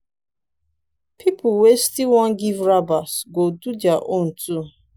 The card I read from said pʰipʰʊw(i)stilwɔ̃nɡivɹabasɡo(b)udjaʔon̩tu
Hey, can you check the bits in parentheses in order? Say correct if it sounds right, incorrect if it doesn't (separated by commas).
incorrect, incorrect